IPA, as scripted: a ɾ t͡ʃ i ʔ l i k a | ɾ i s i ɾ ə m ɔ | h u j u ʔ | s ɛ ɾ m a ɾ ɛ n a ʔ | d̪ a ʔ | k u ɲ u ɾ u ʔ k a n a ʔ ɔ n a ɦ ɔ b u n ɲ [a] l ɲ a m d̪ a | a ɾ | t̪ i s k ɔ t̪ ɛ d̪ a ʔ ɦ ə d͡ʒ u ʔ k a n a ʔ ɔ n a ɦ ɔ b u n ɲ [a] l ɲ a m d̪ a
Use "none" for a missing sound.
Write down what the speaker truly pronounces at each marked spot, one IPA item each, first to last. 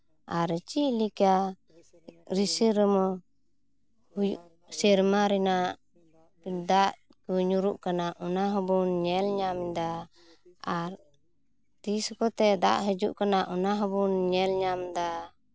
ɛ, ɛ

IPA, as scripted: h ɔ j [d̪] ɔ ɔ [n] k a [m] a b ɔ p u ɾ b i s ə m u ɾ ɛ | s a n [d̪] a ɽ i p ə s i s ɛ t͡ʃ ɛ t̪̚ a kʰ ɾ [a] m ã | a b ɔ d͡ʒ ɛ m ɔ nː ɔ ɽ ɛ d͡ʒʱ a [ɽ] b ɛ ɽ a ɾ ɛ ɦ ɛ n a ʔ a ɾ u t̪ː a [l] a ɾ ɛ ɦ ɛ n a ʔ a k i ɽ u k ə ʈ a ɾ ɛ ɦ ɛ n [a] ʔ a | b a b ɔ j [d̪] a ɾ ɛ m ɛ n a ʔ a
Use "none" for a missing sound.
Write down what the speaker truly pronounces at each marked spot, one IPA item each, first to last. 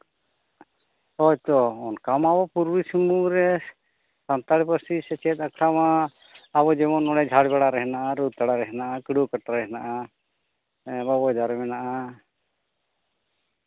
t̪, n, m, t̪, a, ɽ, ɽ, a, d̪

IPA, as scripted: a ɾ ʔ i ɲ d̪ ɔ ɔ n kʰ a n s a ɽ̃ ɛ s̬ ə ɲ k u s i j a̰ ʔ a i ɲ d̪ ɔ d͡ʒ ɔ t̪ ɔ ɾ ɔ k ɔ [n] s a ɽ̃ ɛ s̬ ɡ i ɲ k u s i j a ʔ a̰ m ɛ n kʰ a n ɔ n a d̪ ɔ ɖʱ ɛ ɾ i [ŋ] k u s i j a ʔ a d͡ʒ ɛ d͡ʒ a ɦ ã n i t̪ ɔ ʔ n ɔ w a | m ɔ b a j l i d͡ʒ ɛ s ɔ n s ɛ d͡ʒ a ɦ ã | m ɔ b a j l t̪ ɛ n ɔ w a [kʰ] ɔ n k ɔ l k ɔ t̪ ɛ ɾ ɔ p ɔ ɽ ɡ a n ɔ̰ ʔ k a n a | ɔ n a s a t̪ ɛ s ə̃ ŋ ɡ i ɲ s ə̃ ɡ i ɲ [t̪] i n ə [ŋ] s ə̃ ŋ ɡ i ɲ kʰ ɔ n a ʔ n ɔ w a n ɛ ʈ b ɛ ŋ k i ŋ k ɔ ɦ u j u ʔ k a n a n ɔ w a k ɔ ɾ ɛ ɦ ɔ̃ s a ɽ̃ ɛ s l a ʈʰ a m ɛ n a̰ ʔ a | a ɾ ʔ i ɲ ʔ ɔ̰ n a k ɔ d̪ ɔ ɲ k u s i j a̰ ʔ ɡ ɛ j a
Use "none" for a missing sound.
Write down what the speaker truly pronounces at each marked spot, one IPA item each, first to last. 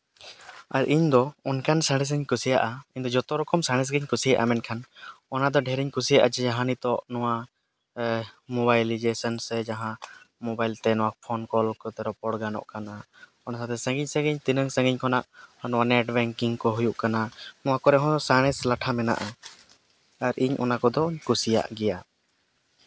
m, ɲ, pʰ, t̪, ŋ

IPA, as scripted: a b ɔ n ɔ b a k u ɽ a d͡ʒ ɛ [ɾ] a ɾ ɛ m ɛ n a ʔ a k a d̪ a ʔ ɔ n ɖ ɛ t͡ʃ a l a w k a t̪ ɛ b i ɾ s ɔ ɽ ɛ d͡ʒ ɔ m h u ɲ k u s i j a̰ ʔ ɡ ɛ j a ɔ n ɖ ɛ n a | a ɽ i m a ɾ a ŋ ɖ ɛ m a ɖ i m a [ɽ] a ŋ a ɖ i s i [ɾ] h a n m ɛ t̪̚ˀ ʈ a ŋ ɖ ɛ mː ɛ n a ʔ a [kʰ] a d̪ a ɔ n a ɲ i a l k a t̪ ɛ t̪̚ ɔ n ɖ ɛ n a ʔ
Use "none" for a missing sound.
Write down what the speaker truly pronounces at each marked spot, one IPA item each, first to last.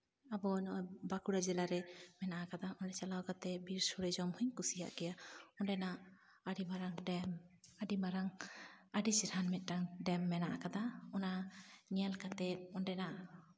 l, ɾ, ɾ, k

